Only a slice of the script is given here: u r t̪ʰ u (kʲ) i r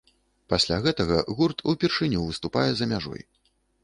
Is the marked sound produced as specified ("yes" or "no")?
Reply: no